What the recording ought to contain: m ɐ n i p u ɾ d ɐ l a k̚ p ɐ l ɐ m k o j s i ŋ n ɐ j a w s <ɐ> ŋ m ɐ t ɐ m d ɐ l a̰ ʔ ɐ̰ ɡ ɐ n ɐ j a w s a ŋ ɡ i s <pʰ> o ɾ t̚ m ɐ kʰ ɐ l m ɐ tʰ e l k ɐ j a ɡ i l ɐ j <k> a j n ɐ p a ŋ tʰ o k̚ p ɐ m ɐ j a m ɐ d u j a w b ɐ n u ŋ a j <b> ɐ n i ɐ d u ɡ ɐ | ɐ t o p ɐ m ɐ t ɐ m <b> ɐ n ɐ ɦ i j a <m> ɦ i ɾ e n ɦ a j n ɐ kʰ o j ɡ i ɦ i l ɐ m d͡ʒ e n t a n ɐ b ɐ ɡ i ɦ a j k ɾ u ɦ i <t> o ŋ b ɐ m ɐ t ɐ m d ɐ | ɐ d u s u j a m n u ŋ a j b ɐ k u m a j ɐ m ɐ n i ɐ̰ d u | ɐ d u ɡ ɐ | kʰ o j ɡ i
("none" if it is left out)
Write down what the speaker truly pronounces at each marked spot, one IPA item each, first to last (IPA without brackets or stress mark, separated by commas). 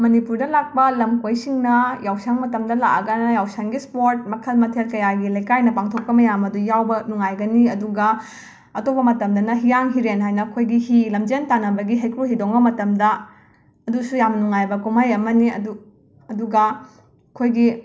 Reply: a, p, k, ɡ, d, ŋ, d